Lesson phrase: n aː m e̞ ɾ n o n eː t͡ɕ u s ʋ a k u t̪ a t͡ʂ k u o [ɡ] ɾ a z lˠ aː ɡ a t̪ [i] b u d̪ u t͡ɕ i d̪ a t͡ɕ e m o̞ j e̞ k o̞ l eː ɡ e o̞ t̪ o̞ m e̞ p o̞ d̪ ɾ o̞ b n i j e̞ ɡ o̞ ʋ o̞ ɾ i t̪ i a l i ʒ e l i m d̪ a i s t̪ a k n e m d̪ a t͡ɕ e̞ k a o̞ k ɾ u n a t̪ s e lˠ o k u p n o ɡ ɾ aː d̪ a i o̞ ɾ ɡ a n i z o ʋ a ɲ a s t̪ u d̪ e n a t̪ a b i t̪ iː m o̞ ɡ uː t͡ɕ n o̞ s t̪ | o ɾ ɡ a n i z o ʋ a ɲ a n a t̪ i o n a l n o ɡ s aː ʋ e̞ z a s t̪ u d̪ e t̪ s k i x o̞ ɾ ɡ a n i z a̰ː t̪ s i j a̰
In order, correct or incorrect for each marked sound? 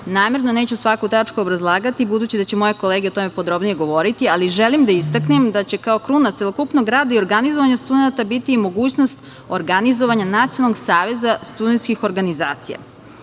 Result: incorrect: b, correct

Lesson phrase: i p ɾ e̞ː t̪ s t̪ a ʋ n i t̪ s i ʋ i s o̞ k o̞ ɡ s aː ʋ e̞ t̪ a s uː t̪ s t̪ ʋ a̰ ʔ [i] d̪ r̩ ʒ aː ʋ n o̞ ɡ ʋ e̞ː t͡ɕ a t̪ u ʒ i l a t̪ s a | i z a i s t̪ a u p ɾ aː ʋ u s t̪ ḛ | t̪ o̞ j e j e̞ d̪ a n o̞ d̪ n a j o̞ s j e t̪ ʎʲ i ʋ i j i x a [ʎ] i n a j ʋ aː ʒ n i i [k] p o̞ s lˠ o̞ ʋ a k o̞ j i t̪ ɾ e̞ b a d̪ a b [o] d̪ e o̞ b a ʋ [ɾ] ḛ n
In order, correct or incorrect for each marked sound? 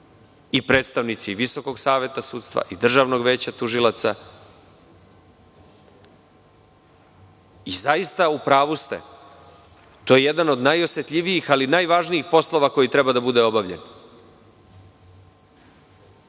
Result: correct, incorrect: l, incorrect: x, incorrect: u, incorrect: ʎ

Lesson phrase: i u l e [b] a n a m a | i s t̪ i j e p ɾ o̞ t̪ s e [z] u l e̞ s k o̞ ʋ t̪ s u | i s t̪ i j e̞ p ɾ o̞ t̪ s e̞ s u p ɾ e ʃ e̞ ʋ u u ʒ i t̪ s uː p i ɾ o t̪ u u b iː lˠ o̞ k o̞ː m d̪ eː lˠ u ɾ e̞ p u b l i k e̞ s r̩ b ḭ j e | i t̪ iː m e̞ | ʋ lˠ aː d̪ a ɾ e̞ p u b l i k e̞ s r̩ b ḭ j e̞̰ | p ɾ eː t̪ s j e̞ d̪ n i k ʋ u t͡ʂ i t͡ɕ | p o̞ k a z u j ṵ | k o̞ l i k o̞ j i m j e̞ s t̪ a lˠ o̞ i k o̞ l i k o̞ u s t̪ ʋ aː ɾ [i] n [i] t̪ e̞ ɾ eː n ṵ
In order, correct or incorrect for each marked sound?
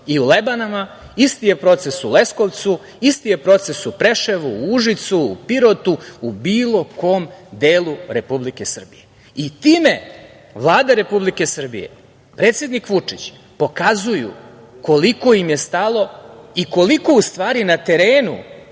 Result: correct, incorrect: s, correct, incorrect: a

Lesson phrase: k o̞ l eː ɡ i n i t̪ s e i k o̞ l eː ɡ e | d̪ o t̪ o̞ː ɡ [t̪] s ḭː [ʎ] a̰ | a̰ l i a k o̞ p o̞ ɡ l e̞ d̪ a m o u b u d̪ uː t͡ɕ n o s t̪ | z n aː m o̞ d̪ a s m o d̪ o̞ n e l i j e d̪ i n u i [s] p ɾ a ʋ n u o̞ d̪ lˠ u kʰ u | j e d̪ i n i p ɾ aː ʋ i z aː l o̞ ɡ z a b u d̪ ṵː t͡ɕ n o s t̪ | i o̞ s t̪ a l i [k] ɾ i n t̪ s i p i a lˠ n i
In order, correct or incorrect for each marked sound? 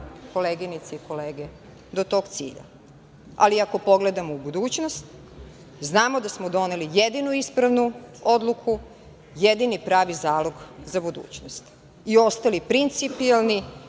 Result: correct, correct, correct, incorrect: p

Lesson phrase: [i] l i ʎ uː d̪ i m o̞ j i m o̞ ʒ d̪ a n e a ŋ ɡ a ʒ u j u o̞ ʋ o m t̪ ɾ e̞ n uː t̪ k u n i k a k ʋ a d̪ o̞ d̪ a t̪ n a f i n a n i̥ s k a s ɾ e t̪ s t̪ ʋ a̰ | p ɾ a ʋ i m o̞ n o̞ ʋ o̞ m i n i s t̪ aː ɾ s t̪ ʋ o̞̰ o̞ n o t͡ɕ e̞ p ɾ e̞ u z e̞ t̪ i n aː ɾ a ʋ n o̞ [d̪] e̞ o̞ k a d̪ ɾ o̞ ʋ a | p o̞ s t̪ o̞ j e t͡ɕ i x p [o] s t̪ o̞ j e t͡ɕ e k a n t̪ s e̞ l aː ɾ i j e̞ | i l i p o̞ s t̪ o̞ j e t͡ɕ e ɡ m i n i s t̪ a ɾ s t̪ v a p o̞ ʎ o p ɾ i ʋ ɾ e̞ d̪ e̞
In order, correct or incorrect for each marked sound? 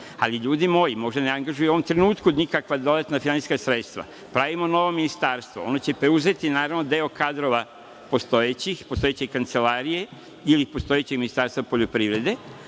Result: incorrect: a, correct, correct

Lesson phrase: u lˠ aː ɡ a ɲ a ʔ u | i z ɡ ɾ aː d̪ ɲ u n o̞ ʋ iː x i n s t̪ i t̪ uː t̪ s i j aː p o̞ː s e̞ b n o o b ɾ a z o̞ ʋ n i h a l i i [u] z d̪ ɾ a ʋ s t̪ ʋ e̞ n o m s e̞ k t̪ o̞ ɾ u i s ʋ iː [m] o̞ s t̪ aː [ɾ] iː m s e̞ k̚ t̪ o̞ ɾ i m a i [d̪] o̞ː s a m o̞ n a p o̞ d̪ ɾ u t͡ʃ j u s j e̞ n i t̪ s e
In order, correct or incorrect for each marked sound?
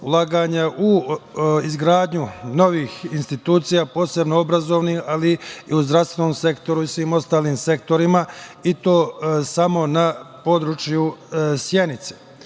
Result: correct, correct, incorrect: l, incorrect: t̪

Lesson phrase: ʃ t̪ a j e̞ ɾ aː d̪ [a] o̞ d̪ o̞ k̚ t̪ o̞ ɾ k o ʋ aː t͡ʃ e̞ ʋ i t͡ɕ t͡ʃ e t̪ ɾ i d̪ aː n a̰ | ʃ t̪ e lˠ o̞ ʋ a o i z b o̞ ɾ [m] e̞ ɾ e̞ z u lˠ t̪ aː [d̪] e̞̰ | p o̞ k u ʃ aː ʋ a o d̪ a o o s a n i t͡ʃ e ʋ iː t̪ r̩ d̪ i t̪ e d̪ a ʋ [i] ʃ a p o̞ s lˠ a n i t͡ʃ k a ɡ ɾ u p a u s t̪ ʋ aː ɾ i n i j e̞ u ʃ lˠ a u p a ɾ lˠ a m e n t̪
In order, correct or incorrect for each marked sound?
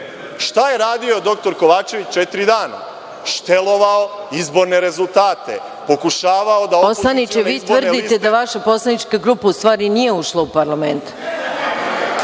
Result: incorrect: i, incorrect: n, incorrect: t̪, incorrect: a

